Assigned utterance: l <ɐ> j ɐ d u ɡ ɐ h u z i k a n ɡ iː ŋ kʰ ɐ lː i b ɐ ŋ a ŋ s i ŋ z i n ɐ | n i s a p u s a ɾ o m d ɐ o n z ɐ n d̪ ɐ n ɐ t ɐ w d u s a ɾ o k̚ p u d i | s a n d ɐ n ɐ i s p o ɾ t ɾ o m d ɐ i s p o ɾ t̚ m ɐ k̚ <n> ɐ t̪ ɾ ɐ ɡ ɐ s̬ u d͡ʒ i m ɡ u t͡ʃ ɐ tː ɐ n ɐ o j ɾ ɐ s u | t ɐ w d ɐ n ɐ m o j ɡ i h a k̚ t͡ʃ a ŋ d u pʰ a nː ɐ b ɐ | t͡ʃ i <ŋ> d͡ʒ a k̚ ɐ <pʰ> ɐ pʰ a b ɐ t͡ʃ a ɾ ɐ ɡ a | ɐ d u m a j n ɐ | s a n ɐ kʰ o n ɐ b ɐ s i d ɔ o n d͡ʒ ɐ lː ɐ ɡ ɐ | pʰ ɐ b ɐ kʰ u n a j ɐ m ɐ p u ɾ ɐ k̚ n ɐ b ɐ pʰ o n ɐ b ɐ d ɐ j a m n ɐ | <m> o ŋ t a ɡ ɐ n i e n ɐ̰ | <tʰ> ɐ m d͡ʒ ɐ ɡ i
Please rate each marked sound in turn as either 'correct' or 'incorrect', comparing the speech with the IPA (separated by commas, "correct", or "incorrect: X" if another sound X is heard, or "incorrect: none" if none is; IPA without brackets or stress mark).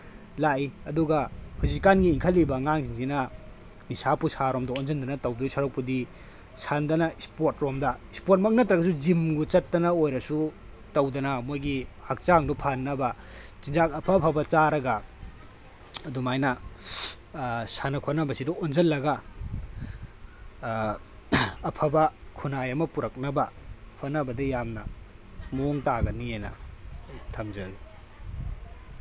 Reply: incorrect: a, correct, incorrect: n, correct, correct, correct